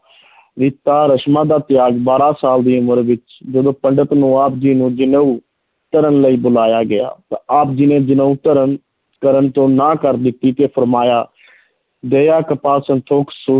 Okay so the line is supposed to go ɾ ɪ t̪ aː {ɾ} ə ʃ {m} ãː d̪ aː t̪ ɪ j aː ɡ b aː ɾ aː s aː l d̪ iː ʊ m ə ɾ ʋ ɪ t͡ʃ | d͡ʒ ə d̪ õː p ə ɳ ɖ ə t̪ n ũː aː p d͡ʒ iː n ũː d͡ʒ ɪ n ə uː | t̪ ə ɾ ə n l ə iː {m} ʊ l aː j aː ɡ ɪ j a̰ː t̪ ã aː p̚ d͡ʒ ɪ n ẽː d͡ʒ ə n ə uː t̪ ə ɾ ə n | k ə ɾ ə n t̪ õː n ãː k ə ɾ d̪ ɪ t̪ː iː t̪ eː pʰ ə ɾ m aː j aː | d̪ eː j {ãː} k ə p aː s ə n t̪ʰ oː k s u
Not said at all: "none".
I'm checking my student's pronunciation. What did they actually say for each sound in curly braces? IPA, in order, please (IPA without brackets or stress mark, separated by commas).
ɾ, m, b, aː